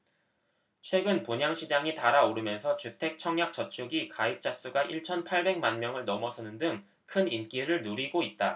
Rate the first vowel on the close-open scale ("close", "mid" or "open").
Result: mid